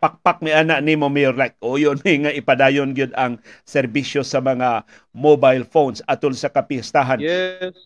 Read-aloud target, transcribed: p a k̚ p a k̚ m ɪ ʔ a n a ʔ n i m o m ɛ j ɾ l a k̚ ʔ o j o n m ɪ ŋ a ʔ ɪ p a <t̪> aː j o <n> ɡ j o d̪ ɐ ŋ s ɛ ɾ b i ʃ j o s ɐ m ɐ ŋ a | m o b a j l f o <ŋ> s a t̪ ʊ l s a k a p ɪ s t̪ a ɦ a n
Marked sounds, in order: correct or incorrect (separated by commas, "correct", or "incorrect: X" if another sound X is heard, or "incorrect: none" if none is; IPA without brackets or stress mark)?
incorrect: d̪, correct, incorrect: n